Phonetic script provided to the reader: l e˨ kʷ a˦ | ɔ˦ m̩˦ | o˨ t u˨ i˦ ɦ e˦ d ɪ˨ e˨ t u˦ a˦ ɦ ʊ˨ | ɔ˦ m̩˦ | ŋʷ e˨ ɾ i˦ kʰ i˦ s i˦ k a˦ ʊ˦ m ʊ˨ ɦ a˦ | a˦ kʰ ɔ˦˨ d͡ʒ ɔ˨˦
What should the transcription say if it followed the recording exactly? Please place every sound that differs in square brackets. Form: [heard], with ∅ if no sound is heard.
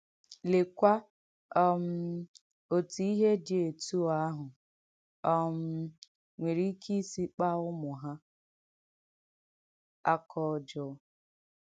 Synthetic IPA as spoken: l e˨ kʷ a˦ | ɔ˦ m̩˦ | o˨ t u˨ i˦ ɦ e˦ d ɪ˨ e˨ t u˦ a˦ ɦ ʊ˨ | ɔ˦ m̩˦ | ŋʷ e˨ ɾ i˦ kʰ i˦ s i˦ [k͡p] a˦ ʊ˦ m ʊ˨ ɦ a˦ | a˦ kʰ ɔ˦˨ d͡ʒ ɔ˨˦